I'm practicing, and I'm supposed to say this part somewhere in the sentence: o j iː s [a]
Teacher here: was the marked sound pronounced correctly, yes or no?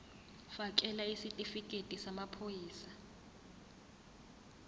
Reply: yes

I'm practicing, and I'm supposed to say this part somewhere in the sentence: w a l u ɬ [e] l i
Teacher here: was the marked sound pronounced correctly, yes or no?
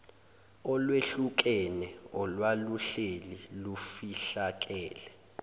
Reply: yes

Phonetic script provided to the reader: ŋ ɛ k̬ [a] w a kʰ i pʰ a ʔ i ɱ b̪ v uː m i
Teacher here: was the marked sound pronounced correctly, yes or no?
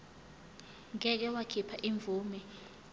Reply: no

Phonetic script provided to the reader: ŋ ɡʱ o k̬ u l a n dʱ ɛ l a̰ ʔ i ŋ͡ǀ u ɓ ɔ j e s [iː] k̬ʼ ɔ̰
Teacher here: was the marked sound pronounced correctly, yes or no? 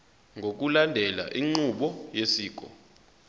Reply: yes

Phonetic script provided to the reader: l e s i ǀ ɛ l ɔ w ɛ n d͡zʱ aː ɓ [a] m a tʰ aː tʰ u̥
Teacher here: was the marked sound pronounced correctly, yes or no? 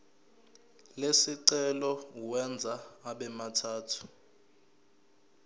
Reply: no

